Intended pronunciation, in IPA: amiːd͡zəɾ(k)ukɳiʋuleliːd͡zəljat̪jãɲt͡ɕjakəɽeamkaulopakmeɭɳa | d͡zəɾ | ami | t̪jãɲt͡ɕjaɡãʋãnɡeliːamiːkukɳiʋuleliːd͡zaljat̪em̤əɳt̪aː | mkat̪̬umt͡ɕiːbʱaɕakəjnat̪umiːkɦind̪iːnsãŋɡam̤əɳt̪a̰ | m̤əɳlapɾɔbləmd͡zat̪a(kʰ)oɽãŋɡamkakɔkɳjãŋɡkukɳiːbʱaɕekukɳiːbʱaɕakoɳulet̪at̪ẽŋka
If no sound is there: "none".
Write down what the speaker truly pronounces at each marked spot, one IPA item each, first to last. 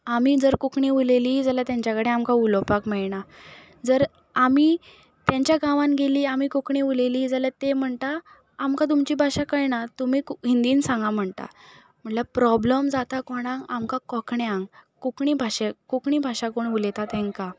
k, k

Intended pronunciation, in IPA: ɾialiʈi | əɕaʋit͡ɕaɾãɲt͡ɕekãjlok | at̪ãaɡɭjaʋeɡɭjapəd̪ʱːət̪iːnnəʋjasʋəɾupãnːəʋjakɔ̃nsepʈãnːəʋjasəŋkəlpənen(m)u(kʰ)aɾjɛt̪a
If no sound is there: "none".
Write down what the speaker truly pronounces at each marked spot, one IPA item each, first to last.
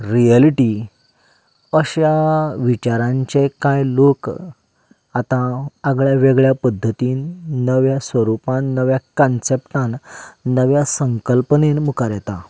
m, k

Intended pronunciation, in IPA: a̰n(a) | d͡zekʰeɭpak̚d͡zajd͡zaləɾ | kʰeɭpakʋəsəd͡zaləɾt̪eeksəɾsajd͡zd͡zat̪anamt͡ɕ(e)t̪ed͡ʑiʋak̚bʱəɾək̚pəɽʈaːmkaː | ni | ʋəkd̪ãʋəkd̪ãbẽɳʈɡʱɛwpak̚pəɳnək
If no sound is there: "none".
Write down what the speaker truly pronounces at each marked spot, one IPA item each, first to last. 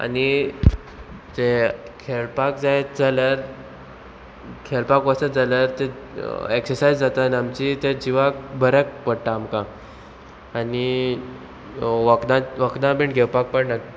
i, i

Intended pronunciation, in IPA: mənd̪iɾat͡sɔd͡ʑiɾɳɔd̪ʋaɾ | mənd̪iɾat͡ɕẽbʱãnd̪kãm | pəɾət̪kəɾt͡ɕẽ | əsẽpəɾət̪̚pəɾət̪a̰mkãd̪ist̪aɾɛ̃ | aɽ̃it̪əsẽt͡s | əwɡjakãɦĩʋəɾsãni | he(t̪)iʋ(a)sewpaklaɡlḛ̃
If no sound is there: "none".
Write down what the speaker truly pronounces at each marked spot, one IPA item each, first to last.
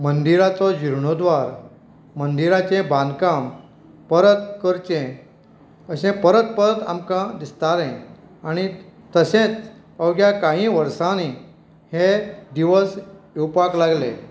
d̪, ə

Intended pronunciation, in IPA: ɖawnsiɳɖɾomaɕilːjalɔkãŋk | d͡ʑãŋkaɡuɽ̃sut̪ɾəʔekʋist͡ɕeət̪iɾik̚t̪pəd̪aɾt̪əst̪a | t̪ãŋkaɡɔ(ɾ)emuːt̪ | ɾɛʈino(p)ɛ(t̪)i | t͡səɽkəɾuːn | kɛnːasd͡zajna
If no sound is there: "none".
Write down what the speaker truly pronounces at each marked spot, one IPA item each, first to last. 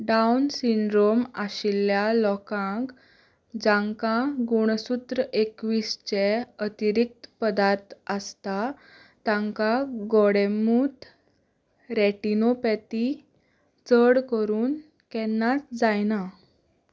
ɽ, p, t̪

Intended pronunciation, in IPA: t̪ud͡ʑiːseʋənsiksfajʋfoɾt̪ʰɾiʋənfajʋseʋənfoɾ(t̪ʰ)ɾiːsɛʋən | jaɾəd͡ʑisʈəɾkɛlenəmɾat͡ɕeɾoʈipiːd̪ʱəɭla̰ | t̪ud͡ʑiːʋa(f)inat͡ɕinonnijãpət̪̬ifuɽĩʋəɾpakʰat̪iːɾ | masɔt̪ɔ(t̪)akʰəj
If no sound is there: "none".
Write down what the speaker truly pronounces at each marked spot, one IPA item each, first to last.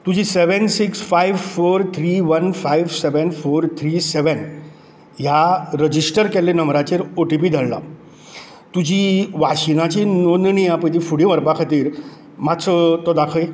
t̪ʰ, ɕ, d̪

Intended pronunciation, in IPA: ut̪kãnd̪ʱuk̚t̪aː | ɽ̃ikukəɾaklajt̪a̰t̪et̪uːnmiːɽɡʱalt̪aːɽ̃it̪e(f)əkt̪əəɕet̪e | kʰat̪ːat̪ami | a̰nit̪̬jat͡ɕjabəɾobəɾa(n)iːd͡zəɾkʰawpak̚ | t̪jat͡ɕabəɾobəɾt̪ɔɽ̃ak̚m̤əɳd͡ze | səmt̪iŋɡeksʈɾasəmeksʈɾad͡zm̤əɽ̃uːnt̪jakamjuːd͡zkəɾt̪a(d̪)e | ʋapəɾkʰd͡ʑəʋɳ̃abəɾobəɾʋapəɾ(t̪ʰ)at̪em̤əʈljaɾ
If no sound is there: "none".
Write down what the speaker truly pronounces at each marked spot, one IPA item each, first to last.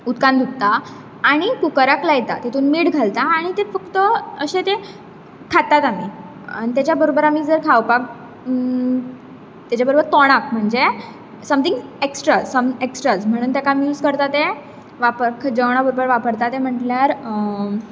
f, m, t̪, t̪

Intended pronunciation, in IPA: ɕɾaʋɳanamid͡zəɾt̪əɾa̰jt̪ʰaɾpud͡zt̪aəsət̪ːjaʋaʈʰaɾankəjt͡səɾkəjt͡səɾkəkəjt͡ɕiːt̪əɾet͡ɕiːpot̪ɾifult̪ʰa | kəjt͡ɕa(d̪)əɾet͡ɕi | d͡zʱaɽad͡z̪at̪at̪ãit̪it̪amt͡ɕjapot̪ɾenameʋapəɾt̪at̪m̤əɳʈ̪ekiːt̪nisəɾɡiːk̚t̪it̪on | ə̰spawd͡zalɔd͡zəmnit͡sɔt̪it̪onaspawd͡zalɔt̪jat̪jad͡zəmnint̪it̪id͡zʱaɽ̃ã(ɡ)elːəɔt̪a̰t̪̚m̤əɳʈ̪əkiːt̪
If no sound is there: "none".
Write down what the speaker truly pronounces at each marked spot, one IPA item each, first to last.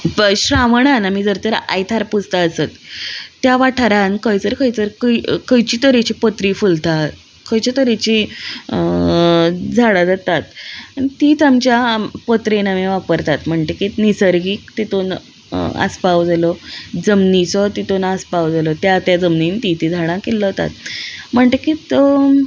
t̪, k

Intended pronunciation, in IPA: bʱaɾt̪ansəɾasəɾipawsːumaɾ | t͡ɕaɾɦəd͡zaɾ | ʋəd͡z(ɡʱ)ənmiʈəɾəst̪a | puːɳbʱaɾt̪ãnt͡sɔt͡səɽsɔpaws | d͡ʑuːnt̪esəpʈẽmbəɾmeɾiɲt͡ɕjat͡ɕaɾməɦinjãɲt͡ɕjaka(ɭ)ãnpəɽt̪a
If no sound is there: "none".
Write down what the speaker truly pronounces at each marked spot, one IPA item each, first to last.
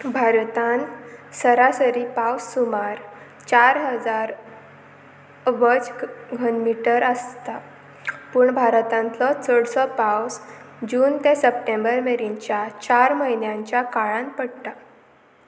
ɡʱ, ɭ

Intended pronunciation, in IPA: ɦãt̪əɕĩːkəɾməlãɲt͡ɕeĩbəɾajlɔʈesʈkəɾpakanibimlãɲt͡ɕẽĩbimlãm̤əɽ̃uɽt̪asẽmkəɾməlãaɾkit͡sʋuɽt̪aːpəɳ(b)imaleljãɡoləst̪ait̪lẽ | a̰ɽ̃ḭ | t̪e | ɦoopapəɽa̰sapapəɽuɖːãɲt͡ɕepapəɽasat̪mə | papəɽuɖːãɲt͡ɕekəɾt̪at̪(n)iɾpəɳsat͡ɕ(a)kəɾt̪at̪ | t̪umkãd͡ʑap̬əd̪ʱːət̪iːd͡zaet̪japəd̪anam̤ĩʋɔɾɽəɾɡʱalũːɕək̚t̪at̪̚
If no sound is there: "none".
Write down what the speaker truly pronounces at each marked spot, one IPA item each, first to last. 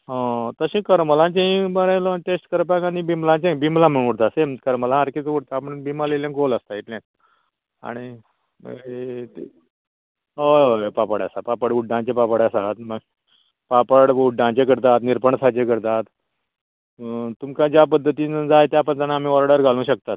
b, n, e

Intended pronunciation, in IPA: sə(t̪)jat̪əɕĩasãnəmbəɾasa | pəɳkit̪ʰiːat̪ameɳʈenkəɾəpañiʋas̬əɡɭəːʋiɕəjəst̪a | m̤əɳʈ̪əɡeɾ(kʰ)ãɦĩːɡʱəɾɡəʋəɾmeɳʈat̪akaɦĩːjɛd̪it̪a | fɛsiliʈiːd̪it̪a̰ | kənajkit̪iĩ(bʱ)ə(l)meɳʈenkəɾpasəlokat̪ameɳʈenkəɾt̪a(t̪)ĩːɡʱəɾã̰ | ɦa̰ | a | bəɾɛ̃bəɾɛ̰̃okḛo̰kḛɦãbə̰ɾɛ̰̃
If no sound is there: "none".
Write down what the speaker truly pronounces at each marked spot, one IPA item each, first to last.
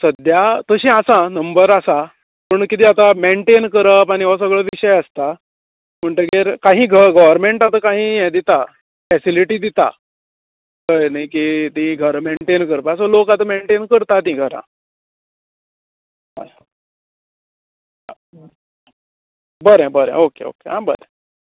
d̪, k, ɡʱ, ɾ, t̪

